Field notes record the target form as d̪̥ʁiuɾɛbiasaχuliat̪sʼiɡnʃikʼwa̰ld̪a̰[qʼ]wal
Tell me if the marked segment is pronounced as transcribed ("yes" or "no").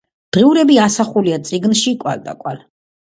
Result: no